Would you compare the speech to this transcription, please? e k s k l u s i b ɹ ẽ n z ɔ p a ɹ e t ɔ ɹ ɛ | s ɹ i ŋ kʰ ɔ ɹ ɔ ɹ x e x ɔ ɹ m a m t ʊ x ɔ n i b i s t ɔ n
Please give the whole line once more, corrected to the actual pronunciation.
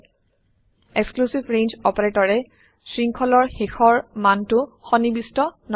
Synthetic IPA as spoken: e k s k l u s i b ɹ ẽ n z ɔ p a ɹ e t ɔ ɹ ɛ | s ɹ i ŋ kʰ ɔ l ɔ ɹ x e x ɔ ɹ m a n t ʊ x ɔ n i b i s t ɔ n